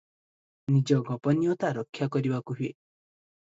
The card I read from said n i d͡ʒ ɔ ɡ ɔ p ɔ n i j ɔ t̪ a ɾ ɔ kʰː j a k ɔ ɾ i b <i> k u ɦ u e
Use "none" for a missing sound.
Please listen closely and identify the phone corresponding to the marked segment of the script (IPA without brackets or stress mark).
a